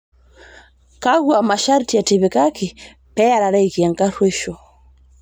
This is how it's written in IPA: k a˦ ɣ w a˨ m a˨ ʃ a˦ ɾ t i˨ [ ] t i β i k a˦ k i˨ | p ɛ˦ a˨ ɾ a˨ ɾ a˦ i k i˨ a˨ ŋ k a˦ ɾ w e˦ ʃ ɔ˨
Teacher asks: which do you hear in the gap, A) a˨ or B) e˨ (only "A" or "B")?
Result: A